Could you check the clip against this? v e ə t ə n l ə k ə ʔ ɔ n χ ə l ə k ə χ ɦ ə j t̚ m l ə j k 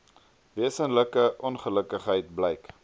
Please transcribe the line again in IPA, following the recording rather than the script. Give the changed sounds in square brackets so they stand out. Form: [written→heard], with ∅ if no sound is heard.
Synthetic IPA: v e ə [t→s] ə n l ə k ə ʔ ɔ n χ ə l ə k ə χ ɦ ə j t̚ [m→b] l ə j k